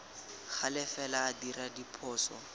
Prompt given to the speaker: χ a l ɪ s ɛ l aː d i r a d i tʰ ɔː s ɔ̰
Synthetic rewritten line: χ a l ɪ f ɛ l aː d i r a d i pʰ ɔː s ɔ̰